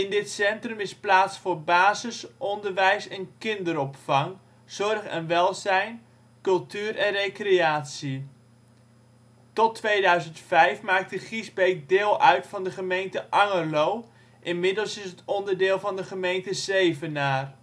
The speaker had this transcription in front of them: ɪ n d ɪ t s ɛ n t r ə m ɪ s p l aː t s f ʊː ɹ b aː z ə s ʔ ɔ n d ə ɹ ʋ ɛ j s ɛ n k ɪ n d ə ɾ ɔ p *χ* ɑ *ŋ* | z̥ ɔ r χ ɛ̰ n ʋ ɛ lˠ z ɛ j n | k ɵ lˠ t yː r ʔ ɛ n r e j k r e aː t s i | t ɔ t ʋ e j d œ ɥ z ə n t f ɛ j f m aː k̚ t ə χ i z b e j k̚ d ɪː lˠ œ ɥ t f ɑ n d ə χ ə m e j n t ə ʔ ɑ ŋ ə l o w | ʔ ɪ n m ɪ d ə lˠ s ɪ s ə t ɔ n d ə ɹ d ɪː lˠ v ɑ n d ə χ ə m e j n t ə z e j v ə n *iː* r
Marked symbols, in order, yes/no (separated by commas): no, yes, no